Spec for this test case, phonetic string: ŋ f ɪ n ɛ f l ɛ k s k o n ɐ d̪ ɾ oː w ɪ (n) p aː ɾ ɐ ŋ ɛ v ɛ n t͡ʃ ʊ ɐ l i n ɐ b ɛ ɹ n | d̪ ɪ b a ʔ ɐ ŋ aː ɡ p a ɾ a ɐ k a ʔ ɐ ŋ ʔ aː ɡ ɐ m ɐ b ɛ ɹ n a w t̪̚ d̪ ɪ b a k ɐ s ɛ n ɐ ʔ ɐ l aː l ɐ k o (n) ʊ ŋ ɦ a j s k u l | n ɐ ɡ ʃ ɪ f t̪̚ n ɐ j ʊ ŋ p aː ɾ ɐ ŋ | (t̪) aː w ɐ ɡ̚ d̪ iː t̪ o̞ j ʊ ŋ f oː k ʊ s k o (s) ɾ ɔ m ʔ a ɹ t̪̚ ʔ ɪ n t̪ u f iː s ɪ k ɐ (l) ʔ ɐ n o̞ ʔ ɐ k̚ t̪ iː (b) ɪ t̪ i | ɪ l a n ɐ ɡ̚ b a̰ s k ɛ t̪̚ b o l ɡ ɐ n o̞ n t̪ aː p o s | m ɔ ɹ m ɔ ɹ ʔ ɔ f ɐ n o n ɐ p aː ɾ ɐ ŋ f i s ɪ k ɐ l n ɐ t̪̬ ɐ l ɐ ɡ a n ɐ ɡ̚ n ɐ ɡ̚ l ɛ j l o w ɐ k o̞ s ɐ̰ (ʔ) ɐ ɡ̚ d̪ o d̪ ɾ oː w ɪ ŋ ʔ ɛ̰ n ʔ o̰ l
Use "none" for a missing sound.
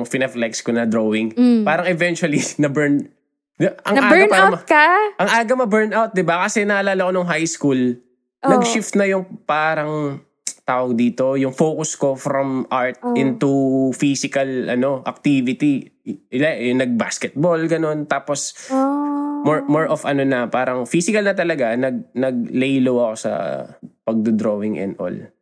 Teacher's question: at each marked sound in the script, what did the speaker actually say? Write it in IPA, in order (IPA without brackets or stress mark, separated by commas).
ŋ, n, t̪, f, l, v, p